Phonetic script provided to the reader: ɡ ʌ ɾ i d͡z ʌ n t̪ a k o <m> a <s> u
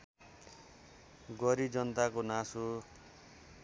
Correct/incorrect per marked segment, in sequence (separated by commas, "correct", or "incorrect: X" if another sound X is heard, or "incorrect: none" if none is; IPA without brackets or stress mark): incorrect: n, correct